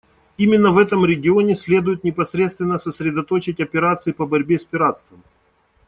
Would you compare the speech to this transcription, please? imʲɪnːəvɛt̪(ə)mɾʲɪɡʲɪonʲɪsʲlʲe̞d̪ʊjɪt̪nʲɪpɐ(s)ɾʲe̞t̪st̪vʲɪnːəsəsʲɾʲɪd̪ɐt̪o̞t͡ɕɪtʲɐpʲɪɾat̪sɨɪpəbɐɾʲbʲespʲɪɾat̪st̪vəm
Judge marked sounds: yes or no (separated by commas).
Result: yes, yes